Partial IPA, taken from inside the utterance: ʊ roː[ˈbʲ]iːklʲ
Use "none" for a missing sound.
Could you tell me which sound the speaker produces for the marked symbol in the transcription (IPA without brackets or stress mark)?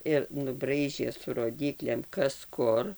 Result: dʲ